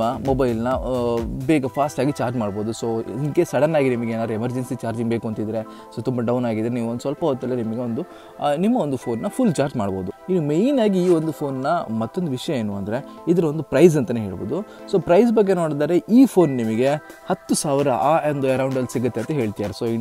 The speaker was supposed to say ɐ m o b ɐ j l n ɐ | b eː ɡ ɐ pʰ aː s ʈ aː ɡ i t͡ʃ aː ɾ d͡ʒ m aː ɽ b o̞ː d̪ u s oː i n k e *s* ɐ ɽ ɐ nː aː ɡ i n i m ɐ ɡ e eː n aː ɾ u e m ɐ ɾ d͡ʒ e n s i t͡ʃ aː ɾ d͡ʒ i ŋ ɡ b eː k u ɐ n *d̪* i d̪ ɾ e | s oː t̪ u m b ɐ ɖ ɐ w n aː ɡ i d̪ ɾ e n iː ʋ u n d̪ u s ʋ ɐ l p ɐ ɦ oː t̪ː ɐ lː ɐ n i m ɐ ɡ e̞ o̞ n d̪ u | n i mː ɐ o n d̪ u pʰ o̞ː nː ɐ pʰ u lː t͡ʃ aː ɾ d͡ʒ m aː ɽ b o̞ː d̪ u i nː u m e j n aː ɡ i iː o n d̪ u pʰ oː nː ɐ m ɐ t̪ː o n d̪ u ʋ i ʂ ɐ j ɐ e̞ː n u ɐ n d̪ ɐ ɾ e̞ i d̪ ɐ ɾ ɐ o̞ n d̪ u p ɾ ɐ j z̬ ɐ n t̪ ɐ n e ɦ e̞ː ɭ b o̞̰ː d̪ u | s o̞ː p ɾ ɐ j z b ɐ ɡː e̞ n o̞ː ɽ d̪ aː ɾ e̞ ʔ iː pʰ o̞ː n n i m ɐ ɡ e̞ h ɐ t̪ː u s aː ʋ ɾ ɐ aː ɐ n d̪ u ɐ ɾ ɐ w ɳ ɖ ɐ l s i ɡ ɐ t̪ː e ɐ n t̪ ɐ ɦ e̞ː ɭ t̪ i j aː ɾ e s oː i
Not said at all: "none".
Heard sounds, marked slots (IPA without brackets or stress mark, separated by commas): s, t̪